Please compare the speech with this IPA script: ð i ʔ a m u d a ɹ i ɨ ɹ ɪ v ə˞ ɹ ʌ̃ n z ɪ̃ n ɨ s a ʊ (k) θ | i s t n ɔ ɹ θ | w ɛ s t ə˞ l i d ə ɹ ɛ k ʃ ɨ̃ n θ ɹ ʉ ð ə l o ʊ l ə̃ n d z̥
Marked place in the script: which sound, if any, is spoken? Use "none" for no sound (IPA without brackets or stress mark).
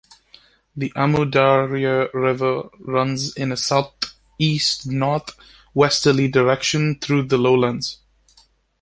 none